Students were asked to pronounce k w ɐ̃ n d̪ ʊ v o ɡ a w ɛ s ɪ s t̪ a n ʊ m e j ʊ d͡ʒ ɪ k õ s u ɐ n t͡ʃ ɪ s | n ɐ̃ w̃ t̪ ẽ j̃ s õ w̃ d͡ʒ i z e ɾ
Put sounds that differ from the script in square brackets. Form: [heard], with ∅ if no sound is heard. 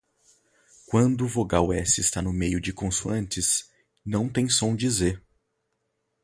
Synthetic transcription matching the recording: k w ɐ̃ n d̪ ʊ v o ɡ a w ɛ s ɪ s t̪ a n ʊ m e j ʊ d͡ʒ ɪ k õ s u [ɐ̃] n t͡ʃ ɪ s | n ɐ̃ w̃ t̪ ẽ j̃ s õ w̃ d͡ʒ i z e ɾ

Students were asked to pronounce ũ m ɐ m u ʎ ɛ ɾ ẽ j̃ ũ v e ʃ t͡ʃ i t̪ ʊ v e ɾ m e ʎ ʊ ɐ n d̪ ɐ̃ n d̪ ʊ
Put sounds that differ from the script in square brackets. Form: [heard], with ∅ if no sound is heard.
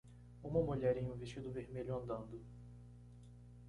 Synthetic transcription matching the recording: ũ m ɐ m u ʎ ɛ ɾ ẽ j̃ ũ v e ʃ t͡ʃ i [d̪] ʊ v e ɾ m e ʎ ʊ [ɐ̃] n d̪ ɐ̃ n d̪ ʊ

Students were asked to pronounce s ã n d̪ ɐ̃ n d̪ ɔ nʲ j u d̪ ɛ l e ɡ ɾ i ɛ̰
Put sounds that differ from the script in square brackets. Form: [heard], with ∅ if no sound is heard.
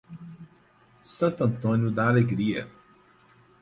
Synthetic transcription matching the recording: s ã n [t̪] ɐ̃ n [t̪] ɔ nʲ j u d̪ [a] l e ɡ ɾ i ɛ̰

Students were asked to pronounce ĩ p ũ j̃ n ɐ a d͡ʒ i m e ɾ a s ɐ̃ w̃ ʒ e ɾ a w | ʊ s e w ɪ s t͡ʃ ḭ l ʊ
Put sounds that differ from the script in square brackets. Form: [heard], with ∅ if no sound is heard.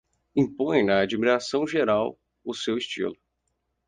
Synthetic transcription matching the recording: ĩ p [õ] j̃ n ɐ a d͡ʒ i m [i] ɾ a s ɐ̃ w̃ ʒ e ɾ a w | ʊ s e w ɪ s t͡ʃ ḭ l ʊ

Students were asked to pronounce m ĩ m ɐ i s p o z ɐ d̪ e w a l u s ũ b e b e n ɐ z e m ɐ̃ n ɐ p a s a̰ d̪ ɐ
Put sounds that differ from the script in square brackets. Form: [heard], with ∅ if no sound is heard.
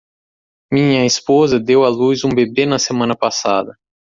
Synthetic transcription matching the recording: m ĩ [ɲ] ɐ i s p o z ɐ d̪ e w a l u [z] ũ b e b e n ɐ [s] e m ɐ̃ n ɐ p a s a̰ d̪ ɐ

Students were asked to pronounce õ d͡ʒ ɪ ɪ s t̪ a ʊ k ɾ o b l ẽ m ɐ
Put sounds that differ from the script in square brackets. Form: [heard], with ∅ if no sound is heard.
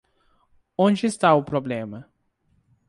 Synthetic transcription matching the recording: õ d͡ʒ ɪ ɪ s t̪ a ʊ [p] ɾ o b l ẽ m ɐ

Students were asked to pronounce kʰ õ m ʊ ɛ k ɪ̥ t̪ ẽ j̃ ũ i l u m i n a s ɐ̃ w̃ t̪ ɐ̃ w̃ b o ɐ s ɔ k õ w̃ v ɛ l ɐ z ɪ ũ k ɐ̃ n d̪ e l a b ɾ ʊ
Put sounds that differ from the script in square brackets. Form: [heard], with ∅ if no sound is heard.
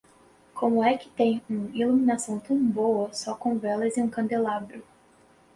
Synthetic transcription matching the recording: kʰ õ m ʊ ɛ k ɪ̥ t̪ ẽ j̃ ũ i l u m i n a s ɐ̃ w̃ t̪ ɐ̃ w̃ b o ɐ s ɔ k õ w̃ v ɛ l ɐ z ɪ ũ k ɐ̃ n d̪ e l a b ɾ ʊ

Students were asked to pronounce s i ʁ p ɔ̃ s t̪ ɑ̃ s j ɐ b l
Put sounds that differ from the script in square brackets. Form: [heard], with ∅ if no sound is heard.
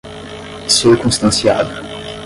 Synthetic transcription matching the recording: s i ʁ [k] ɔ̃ s t̪ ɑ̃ s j [a] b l

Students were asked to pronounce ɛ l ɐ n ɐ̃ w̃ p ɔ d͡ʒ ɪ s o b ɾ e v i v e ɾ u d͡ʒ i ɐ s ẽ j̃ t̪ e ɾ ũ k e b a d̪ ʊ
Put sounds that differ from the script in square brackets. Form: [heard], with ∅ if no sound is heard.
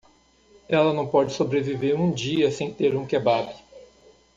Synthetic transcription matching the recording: ɛ l ɐ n ɐ̃ w̃ p ɔ d͡ʒ ɪ s o b ɾ e v i v e ɾ [ũ] d͡ʒ i ɐ s ẽ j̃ t̪ e ɾ ũ k e b a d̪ ʊ

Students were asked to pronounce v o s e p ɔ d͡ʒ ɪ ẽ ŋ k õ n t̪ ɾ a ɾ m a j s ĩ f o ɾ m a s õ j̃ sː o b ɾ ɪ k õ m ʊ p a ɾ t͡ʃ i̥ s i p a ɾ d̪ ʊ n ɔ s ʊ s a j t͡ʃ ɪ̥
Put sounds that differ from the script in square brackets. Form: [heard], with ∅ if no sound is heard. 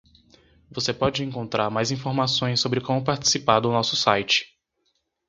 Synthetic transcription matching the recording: v o s e p ɔ d͡ʒ ɪ ẽ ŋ k õ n t̪ ɾ a ɾ m a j [z] ĩ f o ɾ m a s õ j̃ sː o b ɾ ɪ k õ m ʊ p a ɾ t͡ʃ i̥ s i p a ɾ d̪ ʊ n ɔ s ʊ s a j t͡ʃ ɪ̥

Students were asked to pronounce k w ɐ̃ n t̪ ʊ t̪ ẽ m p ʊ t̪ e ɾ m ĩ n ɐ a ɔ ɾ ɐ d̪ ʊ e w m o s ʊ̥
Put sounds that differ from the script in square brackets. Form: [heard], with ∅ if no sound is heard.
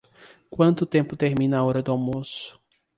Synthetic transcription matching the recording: k w ɐ̃ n t̪ ʊ t̪ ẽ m p ʊ t̪ e ɾ m ĩ n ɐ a ɔ ɾ ɐ d̪ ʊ [a] w m o s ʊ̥

